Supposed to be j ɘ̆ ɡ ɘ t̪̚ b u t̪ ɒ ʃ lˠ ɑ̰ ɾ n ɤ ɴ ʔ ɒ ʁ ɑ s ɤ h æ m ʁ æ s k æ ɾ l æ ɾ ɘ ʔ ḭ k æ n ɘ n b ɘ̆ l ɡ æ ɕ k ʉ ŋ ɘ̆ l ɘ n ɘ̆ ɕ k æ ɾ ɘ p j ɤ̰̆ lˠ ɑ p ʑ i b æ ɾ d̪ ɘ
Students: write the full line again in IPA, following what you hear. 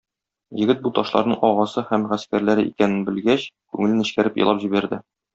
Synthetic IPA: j ɘ̆ ɡ ɘ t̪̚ b u t̪ ɒ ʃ lˠ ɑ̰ ɾ n ɤ ɴ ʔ ɒ ʁ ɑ s ɤ h æ m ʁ æ s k æ ɾ l æ ɾ ɘ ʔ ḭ k æ n ɘ n b ɘ̆ l ɡ æ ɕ k ʉ ŋ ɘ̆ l ɘ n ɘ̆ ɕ k æ ɾ ɘ p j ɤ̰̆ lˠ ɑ p ʑ i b æ ɾ d̪ ɘ